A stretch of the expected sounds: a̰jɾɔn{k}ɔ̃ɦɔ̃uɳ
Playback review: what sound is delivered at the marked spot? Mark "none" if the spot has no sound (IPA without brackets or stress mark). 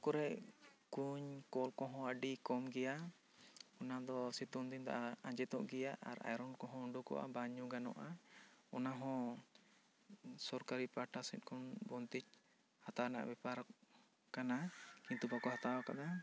k